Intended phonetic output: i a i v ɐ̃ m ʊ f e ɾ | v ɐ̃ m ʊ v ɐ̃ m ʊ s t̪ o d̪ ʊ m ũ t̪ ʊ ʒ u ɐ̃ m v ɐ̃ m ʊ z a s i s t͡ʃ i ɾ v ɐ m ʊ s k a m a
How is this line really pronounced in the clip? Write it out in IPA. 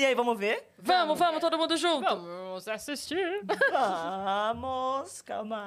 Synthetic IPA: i a i v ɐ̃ m ʊ v e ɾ | v ɐ̃ m ʊ v ɐ̃ m ʊ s t̪ o d̪ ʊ m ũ d̪ ʊ ʒ ũ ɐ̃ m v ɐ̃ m ʊ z a s i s t͡ʃ i ɾ v ɐ m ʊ s k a m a